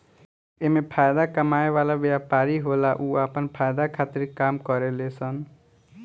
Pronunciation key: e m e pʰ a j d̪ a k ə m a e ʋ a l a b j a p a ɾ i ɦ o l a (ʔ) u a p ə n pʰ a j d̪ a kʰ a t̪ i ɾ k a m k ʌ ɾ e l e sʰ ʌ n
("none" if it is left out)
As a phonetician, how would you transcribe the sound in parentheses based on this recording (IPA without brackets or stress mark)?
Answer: ʔ